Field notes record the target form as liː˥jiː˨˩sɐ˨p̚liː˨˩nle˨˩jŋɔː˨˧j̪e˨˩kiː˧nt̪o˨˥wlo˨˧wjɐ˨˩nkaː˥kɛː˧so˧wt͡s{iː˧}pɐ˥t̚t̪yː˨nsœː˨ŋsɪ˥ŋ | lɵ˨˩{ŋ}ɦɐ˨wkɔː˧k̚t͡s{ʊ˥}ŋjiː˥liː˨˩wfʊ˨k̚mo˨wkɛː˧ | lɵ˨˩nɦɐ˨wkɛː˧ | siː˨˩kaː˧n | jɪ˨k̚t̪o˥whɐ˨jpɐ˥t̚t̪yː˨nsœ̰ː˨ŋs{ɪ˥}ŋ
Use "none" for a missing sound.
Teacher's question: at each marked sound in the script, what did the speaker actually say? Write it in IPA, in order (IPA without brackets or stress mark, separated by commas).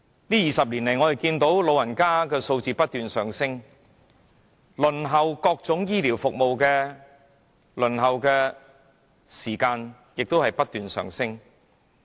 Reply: iː˧, n, ʊ˨˥, ɪ˥